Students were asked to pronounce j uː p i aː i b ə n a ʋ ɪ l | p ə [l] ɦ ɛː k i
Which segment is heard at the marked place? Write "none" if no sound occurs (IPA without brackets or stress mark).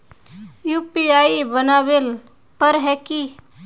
ɾ